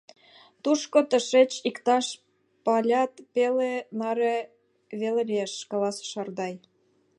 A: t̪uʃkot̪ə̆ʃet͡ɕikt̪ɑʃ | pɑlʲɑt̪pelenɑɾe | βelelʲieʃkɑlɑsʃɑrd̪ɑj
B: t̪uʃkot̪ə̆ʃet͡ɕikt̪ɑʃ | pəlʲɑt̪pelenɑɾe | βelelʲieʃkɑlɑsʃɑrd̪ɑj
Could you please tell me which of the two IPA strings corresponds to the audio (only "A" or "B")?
A